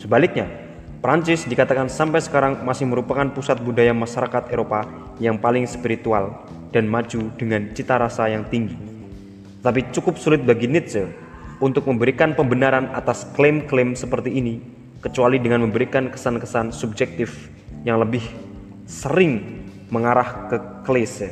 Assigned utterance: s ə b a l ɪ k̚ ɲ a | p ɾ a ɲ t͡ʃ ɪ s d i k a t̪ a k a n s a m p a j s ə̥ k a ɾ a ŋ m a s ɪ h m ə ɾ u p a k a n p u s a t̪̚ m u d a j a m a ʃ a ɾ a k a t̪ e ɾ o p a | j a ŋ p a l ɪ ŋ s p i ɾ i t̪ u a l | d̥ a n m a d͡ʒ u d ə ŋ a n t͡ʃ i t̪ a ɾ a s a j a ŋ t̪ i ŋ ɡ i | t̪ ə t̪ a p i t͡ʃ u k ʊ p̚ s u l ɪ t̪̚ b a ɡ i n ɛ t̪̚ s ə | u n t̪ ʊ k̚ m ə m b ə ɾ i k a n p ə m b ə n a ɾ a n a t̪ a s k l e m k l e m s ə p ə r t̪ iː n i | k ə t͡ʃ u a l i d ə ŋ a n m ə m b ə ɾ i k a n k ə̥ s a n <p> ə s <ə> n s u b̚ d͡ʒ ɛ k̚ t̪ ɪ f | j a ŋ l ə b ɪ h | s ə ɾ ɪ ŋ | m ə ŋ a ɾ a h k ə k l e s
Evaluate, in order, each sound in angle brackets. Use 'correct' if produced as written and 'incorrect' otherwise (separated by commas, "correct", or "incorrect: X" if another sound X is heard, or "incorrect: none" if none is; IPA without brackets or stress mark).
incorrect: k, incorrect: a